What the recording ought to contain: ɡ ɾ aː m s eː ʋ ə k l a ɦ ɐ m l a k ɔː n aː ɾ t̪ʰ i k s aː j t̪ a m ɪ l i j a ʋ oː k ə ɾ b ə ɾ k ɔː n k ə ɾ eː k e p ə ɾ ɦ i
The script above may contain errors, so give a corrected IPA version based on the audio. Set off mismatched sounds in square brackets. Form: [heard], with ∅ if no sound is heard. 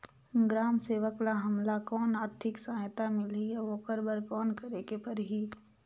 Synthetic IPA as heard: ɡ ɾ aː m s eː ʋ ə k l a ɦ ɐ m l a k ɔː n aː ɾ t̪ʰ [ɪ] k s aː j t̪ a m ɪ l i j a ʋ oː k ə ɾ b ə ɾ k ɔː n k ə ɾ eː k e p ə ɾ ɦ i

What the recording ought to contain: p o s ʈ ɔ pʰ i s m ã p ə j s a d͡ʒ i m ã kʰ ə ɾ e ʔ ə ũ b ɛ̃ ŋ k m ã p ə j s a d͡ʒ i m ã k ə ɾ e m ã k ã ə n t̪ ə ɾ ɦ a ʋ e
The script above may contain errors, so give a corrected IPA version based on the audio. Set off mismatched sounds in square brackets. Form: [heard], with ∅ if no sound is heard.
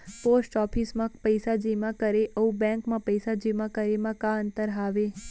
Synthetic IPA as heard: p o s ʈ ɔ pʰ i s m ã p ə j s a d͡ʒ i m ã [k] ə ɾ e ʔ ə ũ b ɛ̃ ŋ k m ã p ə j s a d͡ʒ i m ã k ə ɾ e m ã k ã ə n t̪ ə ɾ ɦ a ʋ e

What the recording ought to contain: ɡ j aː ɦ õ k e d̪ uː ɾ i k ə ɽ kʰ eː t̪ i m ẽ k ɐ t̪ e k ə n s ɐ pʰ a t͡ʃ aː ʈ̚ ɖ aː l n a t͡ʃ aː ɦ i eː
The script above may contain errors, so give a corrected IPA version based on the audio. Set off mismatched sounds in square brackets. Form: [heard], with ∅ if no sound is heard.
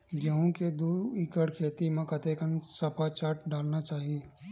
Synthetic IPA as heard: ɡ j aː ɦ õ k e d̪ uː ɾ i k ə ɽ kʰ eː t̪ i m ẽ k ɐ t̪ e k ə n s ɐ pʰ a t͡ʃ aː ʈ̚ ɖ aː l n a t͡ʃ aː ɦ i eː

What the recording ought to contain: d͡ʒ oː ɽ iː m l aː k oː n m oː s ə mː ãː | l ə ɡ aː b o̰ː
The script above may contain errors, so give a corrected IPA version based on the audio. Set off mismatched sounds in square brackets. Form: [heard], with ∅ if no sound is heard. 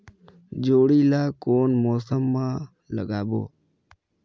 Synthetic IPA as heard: d͡ʒ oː ɽ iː [∅] l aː k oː n m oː s ə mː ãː | l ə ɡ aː b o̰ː

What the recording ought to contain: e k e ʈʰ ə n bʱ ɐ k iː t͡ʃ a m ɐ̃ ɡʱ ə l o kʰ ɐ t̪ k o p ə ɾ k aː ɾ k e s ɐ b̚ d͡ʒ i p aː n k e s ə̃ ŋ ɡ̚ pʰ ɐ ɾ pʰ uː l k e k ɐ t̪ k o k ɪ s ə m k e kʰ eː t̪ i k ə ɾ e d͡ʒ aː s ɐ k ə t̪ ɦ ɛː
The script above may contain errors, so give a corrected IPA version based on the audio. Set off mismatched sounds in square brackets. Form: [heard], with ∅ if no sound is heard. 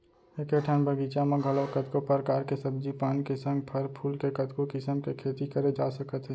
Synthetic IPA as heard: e k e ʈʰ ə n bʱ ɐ [ɡ] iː t͡ʃ a m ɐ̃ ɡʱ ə l o [k] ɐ t̪ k o p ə ɾ k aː ɾ k e s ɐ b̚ d͡ʒ i p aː n k e s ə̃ ŋ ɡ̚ pʰ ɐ ɾ pʰ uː l k e k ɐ t̪ k o k ɪ s ə m k e kʰ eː t̪ i k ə ɾ e d͡ʒ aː s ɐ k ə t̪ ɦ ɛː

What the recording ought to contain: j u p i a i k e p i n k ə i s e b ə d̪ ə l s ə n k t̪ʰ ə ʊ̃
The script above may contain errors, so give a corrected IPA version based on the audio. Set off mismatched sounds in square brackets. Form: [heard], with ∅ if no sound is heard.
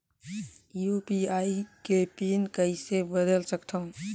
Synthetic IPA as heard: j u p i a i k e p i n k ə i s e b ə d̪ ə l s ə [∅] k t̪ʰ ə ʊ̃

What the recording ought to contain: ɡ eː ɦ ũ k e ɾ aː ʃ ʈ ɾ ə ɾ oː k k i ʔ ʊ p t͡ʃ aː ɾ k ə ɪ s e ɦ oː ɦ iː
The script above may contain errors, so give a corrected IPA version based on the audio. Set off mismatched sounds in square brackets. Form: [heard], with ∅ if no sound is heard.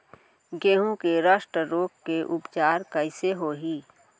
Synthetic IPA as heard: ɡ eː ɦ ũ k e ɾ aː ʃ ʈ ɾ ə ɾ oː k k [e] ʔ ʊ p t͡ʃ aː ɾ k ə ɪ s e ɦ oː ɦ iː

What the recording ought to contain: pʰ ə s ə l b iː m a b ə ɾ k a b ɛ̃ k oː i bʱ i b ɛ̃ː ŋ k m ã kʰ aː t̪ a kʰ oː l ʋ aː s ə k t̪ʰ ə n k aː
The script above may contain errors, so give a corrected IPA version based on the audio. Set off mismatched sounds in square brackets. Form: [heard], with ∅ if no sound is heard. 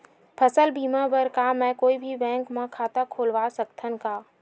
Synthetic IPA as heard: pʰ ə s ə l b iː m a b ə ɾ k a [m] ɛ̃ k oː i bʱ i b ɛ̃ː ŋ k m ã kʰ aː t̪ a kʰ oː l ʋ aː s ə k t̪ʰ ə n k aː

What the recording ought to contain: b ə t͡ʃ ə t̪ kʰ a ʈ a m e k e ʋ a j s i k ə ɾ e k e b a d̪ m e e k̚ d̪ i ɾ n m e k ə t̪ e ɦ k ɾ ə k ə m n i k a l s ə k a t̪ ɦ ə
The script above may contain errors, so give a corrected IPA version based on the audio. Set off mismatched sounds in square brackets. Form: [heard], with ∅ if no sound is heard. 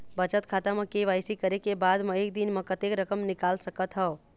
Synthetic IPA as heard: b ə t͡ʃ ə t̪ kʰ a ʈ a m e k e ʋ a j s i k ə ɾ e k e b a d̪ m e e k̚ d̪ i [∅] n m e k ə t̪ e [∅] k ɾ ə k ə m n i k a l s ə k [ə] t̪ ɦ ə

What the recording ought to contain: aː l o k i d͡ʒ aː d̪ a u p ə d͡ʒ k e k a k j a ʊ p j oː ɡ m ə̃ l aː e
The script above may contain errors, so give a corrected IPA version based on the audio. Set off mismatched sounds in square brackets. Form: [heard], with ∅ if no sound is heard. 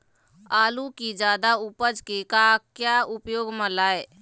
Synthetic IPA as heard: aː l [u] k i d͡ʒ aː d̪ a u p ə d͡ʒ k e k a k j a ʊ p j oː ɡ m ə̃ l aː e

